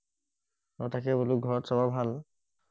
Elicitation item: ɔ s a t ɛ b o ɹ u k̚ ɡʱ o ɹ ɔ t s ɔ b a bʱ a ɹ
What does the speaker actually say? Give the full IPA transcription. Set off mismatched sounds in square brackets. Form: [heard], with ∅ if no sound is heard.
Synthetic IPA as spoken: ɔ [t] a [k] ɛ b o [l] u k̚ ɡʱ [ɔ] ɹ ɔ t s ɔ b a bʱ a [l]